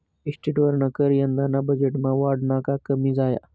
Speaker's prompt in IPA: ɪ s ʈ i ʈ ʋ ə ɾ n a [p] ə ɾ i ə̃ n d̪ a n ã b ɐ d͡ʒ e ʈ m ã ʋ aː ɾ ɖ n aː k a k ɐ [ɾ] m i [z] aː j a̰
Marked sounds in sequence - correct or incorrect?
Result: incorrect: k, incorrect: none, correct

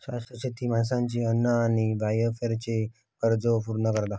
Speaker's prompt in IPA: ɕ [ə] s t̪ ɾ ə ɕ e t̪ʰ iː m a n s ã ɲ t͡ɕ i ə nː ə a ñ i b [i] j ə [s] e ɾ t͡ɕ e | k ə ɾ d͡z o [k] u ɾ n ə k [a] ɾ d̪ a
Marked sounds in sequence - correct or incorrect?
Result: incorrect: a, incorrect: a, incorrect: f, incorrect: p, incorrect: ə

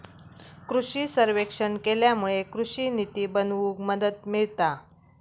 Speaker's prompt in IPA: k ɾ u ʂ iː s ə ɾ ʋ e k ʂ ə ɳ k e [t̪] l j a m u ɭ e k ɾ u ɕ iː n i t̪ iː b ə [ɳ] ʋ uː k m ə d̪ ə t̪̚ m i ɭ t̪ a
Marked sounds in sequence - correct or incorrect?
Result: incorrect: none, incorrect: n

